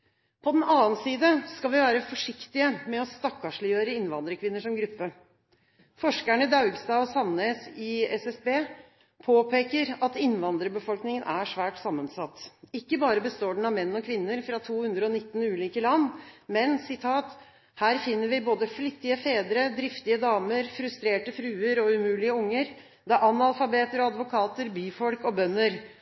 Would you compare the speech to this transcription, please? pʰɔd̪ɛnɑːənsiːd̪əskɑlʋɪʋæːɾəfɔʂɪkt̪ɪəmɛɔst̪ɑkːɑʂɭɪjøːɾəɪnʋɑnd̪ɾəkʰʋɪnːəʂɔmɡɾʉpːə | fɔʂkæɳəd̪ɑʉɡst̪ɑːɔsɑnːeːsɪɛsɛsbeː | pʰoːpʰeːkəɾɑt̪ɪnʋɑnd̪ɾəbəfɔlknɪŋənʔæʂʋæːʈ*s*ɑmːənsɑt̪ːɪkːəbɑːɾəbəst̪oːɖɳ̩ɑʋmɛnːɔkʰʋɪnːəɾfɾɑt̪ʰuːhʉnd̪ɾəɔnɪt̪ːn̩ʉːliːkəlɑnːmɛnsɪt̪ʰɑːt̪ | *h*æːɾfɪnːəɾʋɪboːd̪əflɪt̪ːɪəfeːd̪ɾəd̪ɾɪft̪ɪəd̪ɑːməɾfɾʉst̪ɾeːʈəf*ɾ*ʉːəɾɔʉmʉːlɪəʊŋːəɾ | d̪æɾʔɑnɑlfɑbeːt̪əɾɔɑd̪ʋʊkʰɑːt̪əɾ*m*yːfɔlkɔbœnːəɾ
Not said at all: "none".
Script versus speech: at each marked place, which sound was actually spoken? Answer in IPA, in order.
s, h, ɾ, b

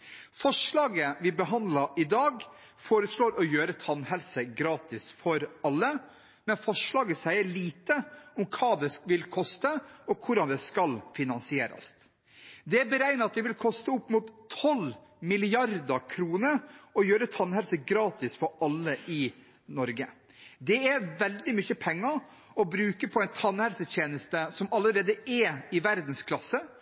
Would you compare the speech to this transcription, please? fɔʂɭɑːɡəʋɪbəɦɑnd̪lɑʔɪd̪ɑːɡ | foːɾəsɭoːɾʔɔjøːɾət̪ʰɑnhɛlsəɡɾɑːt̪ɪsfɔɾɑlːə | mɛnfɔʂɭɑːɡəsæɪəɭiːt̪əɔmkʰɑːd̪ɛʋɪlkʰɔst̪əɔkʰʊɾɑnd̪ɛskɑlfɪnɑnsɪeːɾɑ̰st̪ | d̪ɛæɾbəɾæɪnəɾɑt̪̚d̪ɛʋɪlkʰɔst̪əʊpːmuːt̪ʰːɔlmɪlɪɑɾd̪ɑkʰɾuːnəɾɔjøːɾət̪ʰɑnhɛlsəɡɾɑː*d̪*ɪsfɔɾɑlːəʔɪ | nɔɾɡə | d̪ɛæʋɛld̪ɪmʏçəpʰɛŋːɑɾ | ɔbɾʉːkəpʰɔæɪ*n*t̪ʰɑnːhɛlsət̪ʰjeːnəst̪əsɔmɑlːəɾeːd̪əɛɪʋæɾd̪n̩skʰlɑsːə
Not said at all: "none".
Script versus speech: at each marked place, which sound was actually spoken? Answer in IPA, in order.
t̪, n

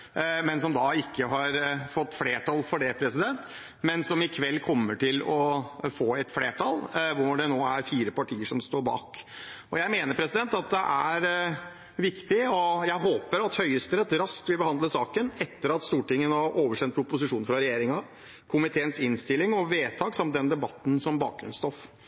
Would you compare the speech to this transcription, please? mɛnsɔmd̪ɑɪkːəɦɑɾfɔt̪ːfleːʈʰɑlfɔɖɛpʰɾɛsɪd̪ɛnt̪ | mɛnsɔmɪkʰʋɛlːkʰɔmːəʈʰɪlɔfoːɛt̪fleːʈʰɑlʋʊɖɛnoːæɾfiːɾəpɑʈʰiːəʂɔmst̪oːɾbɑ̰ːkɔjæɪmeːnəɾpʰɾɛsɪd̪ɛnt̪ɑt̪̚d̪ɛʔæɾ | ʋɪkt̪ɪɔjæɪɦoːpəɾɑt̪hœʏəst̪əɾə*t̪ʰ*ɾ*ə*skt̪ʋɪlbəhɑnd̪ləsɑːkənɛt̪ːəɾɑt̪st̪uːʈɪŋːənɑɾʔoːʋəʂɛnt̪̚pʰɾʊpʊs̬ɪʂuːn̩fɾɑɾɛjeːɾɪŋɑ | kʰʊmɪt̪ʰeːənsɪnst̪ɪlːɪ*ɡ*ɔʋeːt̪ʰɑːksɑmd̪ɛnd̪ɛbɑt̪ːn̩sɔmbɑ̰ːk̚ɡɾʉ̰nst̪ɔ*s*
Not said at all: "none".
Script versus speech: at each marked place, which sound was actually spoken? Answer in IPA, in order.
t̪, ɑ, ŋ, f

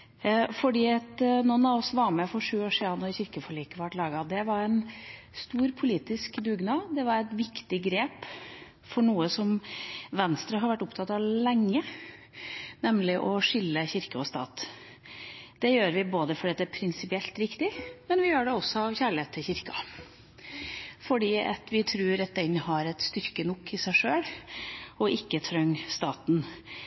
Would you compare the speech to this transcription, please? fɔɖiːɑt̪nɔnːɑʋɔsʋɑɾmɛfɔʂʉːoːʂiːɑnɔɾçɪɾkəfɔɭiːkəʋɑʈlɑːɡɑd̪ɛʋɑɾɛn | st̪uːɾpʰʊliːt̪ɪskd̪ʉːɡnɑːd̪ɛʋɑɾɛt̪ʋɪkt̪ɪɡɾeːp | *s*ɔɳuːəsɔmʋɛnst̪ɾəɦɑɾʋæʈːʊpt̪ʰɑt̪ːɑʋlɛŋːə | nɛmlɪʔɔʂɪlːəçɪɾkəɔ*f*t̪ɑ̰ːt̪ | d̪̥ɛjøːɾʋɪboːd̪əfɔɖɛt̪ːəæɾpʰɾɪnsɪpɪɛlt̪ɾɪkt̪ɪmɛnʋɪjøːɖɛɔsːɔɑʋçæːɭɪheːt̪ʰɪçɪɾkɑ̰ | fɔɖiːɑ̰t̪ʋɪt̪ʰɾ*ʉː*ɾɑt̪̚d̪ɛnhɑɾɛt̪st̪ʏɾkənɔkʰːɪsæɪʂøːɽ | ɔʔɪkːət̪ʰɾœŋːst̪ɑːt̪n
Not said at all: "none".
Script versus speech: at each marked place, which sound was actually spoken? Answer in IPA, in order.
f, s, ʉː

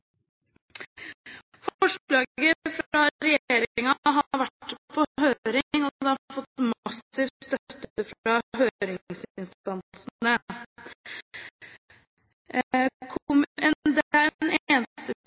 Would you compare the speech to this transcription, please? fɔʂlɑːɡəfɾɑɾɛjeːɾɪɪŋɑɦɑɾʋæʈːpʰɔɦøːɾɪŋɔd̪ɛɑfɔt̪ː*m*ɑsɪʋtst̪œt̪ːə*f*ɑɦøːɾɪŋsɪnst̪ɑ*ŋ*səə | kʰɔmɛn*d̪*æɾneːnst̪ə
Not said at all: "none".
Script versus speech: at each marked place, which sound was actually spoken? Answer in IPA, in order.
m, f, n, d̪

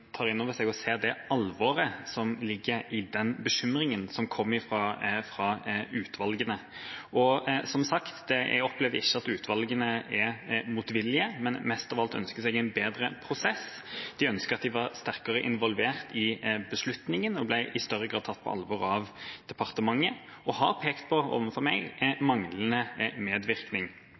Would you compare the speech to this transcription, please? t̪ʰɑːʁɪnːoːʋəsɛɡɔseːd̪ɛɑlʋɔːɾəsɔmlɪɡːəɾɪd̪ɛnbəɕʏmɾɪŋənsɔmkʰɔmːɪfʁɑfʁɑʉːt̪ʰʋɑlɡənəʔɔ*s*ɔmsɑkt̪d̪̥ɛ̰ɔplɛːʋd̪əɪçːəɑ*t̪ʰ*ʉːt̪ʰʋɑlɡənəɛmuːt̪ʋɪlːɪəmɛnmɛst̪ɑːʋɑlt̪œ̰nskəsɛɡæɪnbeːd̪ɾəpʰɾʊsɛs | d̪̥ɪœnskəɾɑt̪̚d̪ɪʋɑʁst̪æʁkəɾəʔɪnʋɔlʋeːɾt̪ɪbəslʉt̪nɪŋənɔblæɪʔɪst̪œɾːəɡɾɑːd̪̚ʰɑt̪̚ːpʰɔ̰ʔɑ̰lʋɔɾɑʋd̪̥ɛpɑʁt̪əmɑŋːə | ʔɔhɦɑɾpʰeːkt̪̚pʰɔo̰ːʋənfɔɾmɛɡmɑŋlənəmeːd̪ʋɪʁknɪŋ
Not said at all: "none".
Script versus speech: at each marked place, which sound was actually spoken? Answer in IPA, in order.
s, t̪

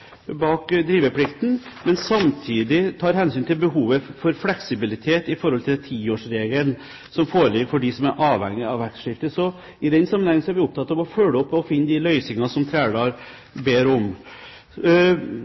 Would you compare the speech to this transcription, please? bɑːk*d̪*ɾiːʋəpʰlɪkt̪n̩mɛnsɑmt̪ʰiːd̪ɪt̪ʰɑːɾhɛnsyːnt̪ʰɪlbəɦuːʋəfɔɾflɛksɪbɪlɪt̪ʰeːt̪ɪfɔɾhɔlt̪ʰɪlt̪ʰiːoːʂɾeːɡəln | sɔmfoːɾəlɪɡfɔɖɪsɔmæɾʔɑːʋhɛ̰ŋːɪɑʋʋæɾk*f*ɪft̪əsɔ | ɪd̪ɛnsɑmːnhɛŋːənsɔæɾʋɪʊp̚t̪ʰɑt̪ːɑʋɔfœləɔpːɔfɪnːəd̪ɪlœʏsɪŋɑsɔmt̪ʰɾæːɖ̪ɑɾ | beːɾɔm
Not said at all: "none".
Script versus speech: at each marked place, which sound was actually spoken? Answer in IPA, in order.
d̪, ʂ

